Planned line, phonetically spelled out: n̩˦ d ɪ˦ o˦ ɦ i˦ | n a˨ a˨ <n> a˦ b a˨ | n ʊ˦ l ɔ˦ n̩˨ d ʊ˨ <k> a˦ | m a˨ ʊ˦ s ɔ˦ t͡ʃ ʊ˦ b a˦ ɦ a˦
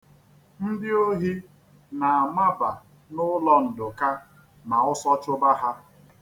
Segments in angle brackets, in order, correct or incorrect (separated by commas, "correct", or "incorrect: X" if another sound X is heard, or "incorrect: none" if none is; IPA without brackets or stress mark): incorrect: m, correct